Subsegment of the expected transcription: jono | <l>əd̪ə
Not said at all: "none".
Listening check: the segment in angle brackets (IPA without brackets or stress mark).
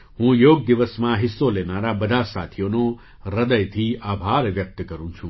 ɾ